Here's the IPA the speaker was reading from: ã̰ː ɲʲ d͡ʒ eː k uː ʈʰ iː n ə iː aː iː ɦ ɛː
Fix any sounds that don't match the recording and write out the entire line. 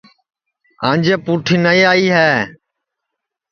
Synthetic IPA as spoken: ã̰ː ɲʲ d͡ʒ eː p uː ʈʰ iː n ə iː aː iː ɦ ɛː

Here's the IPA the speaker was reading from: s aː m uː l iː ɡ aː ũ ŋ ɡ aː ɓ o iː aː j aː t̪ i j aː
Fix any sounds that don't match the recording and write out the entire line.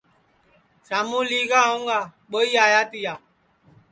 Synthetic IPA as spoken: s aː m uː l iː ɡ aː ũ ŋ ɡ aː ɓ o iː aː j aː t̪ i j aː

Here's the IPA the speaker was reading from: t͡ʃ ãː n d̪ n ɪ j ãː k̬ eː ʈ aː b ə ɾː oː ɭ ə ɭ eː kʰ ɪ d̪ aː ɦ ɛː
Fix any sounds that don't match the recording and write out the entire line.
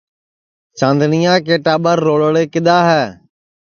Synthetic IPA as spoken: t͡ʃ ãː n d̪ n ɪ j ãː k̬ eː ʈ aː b ə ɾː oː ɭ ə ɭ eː k ɪ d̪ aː ɦ ɛː

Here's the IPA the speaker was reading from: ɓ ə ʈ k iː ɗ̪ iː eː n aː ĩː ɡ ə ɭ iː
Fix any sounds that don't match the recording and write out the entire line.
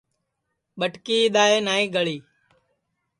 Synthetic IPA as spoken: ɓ ə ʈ k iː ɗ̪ aː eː n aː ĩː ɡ ə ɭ iː

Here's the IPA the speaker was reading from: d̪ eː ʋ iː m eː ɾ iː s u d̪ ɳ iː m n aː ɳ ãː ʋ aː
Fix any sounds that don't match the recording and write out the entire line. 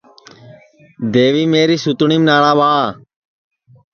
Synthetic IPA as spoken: d̪ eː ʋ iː m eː ɾ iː s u t̪ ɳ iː m n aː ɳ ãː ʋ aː

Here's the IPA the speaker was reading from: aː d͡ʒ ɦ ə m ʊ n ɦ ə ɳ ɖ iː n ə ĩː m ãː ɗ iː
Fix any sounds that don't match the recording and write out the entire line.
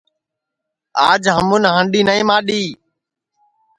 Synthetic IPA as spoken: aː d͡ʒ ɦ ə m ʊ n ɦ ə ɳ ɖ iː n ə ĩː m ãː ɗ iː

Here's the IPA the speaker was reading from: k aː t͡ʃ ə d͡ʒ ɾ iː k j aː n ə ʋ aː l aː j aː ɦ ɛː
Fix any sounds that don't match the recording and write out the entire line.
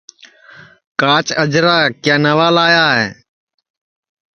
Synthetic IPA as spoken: k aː t͡ʃ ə d͡ʒ ɾ aː k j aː n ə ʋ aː l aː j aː ɦ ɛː

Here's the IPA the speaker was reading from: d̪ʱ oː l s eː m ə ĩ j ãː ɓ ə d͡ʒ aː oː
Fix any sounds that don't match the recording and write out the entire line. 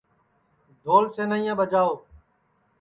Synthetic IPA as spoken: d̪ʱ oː l s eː n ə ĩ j ãː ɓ ə d͡ʒ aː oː

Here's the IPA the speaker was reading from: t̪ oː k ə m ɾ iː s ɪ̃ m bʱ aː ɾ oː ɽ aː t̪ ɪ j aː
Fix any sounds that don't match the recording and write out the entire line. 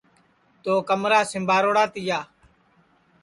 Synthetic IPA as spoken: t̪ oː k ə m ɾ aː s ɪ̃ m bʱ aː ɾ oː ɽ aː t̪ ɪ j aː

